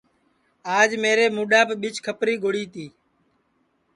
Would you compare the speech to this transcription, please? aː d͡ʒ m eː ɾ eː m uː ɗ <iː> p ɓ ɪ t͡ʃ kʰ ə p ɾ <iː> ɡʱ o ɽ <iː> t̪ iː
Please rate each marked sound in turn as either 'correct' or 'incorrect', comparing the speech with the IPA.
incorrect, correct, correct

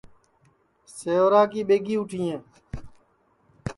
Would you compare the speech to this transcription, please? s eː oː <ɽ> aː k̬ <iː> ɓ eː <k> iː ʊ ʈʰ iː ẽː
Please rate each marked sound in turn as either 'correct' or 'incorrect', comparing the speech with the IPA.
incorrect, correct, incorrect

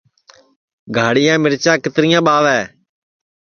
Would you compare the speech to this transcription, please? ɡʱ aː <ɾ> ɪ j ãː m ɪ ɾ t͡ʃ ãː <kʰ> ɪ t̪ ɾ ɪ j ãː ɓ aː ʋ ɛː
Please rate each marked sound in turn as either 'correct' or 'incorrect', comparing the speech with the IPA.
incorrect, incorrect

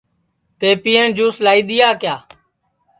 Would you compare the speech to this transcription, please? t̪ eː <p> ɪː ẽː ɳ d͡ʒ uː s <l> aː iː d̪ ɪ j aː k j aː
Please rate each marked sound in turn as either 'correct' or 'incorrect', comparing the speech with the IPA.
correct, correct

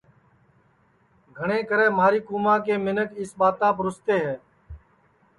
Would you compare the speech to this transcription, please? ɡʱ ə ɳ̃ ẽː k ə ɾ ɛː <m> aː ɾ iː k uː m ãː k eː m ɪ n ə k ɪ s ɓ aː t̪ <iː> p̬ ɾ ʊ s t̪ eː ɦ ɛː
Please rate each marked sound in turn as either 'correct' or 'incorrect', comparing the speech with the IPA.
correct, incorrect

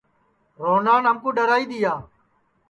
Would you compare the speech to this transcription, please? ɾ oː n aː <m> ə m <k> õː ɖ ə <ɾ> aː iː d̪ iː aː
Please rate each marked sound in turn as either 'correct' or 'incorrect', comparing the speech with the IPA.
incorrect, correct, correct

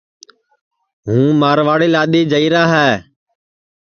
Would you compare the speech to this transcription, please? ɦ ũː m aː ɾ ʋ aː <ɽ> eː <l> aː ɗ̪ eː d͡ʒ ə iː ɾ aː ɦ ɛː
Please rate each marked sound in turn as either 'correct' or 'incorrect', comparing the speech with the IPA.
correct, correct

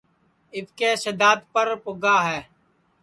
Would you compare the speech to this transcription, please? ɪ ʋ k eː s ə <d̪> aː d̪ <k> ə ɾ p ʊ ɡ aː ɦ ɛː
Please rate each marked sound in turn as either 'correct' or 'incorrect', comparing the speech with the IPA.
correct, incorrect

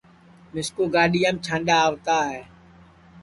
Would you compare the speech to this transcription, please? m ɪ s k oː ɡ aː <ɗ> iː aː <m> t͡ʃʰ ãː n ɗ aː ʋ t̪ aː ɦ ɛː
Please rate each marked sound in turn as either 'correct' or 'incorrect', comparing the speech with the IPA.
correct, correct

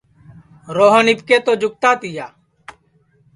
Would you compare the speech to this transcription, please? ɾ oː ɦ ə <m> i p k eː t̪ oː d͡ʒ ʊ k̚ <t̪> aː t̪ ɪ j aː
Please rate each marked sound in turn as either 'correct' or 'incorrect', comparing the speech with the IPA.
incorrect, correct

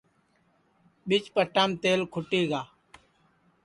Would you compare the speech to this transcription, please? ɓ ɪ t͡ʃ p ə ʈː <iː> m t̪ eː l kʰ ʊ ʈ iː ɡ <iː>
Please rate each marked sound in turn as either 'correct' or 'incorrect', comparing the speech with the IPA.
incorrect, incorrect

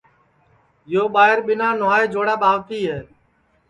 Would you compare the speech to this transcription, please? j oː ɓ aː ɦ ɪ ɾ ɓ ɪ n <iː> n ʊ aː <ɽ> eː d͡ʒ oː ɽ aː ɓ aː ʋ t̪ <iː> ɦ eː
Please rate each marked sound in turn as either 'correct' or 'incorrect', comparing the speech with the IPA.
incorrect, incorrect, correct

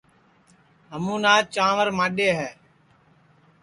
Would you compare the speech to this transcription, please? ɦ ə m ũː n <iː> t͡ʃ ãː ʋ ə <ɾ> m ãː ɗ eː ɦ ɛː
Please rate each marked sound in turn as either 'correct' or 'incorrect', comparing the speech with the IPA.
incorrect, correct

